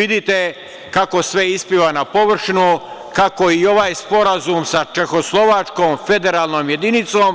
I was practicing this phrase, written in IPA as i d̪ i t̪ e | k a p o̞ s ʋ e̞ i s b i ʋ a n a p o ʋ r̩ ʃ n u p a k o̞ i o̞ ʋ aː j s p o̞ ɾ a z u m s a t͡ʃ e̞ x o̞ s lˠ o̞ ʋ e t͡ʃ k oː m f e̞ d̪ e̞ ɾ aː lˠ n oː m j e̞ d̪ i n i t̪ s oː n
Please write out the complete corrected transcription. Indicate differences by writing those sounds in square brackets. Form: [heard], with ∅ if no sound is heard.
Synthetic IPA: i d̪ i t̪ e | k a [k] o̞ s ʋ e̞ i s [p] i ʋ a n a p o ʋ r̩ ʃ n u [k] a k o̞ i o̞ ʋ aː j s p o̞ ɾ a z u m s a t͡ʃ e̞ x o̞ s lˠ o̞ ʋ [a] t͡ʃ k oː m f e̞ d̪ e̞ ɾ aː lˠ n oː m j e̞ d̪ i n i t̪ s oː [m]

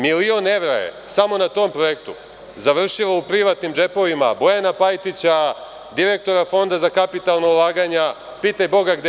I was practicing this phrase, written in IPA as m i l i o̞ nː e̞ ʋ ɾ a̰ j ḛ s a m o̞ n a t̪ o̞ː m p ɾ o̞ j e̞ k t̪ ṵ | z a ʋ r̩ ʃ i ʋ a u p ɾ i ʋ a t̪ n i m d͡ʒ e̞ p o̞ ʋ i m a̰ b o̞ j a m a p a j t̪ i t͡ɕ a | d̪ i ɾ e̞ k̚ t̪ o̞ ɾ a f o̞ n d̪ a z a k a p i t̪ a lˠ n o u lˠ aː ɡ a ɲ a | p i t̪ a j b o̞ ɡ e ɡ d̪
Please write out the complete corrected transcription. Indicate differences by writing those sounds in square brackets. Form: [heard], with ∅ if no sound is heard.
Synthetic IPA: m i l i o̞ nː e̞ ʋ ɾ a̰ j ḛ s a m o̞ n a t̪ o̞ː m p ɾ o̞ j e̞ k t̪ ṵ | z a ʋ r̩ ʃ i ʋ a u p ɾ i ʋ a t̪ n i m d͡ʒ e̞ p o̞ ʋ i m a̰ b o̞ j a [n] a p a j t̪ i t͡ɕ a | d̪ i ɾ e̞ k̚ t̪ o̞ ɾ a f o̞ n d̪ a z a k a p i t̪ a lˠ n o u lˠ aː ɡ a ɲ a | p i t̪ a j b o̞ ɡ [a] ɡ d̪

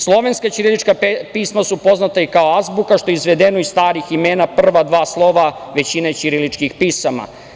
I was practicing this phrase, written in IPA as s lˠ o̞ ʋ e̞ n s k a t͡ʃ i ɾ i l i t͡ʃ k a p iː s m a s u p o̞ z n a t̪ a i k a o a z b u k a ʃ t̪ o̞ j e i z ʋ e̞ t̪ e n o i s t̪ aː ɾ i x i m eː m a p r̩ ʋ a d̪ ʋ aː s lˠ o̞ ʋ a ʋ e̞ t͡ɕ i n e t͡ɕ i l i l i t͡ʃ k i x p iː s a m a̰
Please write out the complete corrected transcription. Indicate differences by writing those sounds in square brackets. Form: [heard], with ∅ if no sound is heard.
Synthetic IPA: s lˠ o̞ ʋ e̞ n s k a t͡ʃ i ɾ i l i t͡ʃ k a p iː s m a s u p o̞ z n a t̪ a i k a o a z b u k a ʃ t̪ o̞ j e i z ʋ e̞ [d̪] e n o i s t̪ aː ɾ i x i m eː [n] a p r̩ ʋ a d̪ ʋ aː s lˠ o̞ ʋ a ʋ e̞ t͡ɕ i n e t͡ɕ i [ɾ] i l i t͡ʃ k i x p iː s a m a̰

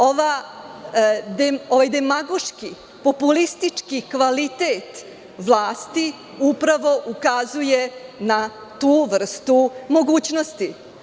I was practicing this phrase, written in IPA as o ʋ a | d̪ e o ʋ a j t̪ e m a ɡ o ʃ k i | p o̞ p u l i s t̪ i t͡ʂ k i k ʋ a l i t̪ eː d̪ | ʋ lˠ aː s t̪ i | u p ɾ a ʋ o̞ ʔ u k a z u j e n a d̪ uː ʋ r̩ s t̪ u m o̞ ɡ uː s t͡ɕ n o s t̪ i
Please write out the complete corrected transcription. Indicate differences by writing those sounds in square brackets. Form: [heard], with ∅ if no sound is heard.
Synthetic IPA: o ʋ a | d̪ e o ʋ a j [d̪] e m a ɡ o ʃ k i | p o̞ p u l i s t̪ i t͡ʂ k i k ʋ a l i t̪ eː [t̪] | ʋ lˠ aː s t̪ i | u p ɾ a ʋ o̞ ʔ u k a z u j e n a [t̪] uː ʋ r̩ s t̪ u m o̞ ɡ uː [∅] t͡ɕ n o s t̪ i

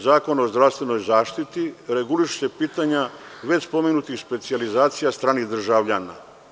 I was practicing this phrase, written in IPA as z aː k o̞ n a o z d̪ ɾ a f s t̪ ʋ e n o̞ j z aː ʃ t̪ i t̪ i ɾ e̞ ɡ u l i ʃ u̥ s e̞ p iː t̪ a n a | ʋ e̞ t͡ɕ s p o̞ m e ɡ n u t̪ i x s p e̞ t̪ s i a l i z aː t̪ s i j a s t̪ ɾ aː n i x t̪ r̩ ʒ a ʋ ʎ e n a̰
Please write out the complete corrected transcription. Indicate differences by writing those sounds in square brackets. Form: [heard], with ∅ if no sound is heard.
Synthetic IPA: z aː k o̞ n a o z d̪ ɾ a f s t̪ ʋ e n o̞ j z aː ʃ t̪ i t̪ i ɾ e̞ ɡ u l i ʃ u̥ s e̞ p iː t̪ a [ɲ] a | ʋ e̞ t͡ɕ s p o̞ m e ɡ n u t̪ i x s p e̞ t̪ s i a l i z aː t̪ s i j a s t̪ ɾ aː n i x [d̪] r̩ ʒ a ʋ ʎ [a] n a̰

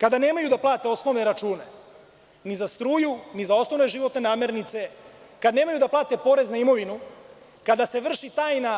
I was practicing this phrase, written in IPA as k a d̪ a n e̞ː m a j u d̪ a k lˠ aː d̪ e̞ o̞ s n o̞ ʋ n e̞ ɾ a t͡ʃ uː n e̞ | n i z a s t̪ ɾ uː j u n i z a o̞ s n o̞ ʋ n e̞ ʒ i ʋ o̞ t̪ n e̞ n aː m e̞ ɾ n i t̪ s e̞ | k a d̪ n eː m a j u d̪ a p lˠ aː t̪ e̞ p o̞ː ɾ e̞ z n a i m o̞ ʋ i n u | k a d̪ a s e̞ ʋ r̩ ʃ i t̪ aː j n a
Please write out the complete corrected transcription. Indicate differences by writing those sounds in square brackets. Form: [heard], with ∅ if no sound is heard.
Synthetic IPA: k a d̪ a n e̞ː m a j u d̪ a [p] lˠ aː [t̪] e̞ o̞ s n o̞ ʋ n e̞ ɾ a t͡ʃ uː n e̞ | n i z a s t̪ ɾ uː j u n i z a o̞ s n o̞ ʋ n e̞ ʒ i ʋ o̞ t̪ n e̞ n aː m e̞ ɾ n i t̪ s e̞ | k a d̪ n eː m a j u d̪ a p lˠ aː t̪ e̞ p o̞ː ɾ e̞ z n a i m o̞ ʋ i n u | k a d̪ a s e̞ ʋ r̩ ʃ i t̪ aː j n a

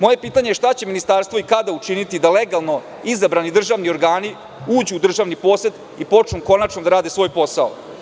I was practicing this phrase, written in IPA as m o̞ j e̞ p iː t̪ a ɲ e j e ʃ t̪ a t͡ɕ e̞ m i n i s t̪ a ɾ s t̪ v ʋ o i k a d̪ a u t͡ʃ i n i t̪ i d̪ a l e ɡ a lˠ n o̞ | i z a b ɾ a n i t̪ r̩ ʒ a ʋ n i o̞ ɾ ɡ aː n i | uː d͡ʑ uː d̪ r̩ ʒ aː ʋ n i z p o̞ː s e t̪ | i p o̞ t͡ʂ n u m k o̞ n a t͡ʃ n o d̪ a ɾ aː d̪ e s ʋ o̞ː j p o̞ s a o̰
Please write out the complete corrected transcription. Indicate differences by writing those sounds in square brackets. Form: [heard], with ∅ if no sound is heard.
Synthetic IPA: m o̞ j e̞ p iː t̪ a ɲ e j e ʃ t̪ a t͡ɕ e̞ m i n i s t̪ a ɾ s t̪ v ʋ o i k a d̪ a u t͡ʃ i n i t̪ i d̪ a l e ɡ a lˠ n o̞ | i z a b ɾ a n i [d̪] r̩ ʒ a ʋ n i o̞ ɾ ɡ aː n i | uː d͡ʑ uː d̪ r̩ ʒ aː ʋ n i [∅] p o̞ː s e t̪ | i p o̞ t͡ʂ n u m k o̞ n a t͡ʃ n o d̪ a ɾ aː d̪ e s ʋ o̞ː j p o̞ s a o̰

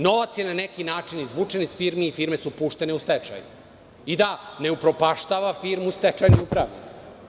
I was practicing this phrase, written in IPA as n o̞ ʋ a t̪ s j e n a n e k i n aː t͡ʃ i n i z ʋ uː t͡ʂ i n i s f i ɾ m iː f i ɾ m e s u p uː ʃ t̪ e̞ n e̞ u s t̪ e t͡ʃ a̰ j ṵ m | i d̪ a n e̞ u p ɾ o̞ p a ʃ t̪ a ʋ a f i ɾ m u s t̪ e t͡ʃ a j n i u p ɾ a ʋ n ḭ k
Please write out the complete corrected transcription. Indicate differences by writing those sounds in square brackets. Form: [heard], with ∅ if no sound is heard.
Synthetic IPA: n o̞ ʋ a t̪ s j e n a n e k i n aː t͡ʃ i n i z ʋ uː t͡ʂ [e] n i s f i ɾ m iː f i ɾ m e s u p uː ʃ t̪ e̞ n e̞ u s t̪ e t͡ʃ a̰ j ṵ [∅] | i d̪ a n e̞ u p ɾ o̞ p a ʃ t̪ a ʋ a f i ɾ m u s t̪ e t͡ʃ a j n i u p ɾ a ʋ n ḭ k

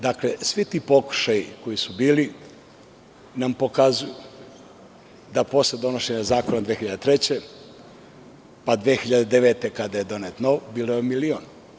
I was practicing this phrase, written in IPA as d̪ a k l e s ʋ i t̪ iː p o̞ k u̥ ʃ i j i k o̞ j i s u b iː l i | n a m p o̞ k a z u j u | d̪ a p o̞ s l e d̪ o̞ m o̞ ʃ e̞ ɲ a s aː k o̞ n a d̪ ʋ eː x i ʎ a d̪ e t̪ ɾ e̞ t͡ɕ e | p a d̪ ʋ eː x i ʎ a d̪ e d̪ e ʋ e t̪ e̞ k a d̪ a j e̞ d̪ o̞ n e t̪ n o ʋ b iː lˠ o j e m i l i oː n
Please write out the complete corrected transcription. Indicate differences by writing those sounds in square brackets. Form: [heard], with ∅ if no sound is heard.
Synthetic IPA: d̪ a k l e s ʋ i t̪ iː p o̞ k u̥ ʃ [a] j i k o̞ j i s u b iː l i | n a m p o̞ k a z u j u | d̪ a p o̞ s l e d̪ o̞ [n] o̞ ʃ e̞ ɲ a [z] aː k o̞ n a d̪ ʋ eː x i ʎ a d̪ e t̪ ɾ e̞ t͡ɕ e | p a d̪ ʋ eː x i ʎ a d̪ e d̪ e ʋ e t̪ e̞ k a d̪ a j e̞ d̪ o̞ n e t̪ n o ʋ b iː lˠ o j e m i l i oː n

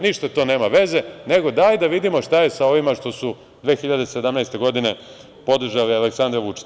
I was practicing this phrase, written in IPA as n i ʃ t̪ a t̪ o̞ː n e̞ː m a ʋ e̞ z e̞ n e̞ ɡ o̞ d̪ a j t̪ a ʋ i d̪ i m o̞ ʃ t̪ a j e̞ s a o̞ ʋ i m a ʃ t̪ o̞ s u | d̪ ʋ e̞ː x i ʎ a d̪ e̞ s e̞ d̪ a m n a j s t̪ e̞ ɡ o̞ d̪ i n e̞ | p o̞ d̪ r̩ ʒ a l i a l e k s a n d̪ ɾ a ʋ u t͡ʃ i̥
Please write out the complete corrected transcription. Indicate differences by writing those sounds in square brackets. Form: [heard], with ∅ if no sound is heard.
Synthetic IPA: n i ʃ t̪ a t̪ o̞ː n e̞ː m a ʋ e̞ z e̞ n e̞ ɡ o̞ d̪ a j [d̪] a ʋ i d̪ i m o̞ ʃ t̪ a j e̞ s a o̞ ʋ i m a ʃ t̪ o̞ s u | d̪ ʋ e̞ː x i ʎ a d̪ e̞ s e̞ d̪ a m n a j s t̪ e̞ ɡ o̞ d̪ i n e̞ | p o̞ d̪ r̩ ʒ a l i a l e k s a n d̪ ɾ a ʋ u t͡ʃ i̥

